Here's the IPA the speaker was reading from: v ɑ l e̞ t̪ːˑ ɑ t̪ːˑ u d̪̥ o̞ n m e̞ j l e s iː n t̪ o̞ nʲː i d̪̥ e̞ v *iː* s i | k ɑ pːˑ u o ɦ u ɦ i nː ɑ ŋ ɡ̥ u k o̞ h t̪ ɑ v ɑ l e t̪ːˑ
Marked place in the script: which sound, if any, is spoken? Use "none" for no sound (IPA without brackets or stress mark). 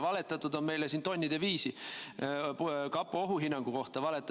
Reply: iː